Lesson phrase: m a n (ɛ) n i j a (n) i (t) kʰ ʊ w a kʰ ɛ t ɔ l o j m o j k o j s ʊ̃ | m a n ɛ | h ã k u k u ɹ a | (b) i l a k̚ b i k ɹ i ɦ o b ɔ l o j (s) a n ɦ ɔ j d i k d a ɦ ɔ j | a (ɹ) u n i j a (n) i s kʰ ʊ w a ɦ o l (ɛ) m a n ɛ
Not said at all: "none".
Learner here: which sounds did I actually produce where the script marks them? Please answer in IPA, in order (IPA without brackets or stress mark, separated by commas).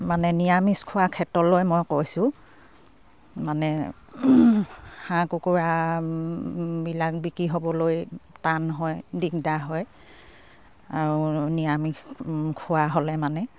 ɛ, m, s, b, t, ɹ, m, ɛ